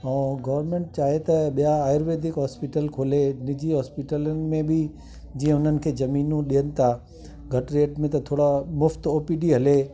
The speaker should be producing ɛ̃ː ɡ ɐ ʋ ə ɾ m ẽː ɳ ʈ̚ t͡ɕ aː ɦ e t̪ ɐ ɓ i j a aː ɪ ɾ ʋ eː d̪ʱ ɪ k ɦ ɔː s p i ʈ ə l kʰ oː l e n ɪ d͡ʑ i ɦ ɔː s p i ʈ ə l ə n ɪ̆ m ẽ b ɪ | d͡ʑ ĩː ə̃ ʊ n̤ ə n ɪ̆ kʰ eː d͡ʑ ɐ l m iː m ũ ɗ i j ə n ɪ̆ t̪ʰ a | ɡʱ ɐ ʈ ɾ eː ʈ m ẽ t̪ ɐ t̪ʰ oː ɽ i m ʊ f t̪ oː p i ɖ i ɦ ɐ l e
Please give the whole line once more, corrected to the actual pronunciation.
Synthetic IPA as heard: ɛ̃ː ɡ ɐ ʋ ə ɾ m ẽː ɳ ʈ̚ t͡ɕ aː ɦ e t̪ ɐ ɓ i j a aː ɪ ɾ ʋ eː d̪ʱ ɪ k ɦ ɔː s p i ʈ ə l kʰ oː l e n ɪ d͡ʑ i ɦ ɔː s p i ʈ ə l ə n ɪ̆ m ẽ b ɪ | d͡ʑ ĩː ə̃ ʊ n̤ ə n ɪ̆ kʰ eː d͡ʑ ɐ m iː n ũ ɗ i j ə n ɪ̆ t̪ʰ a | ɡʱ ɐ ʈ ɾ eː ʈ m ẽ t̪ ɐ t̪ʰ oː ɽ a m ʊ f t̪ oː p i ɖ i ɦ ɐ l e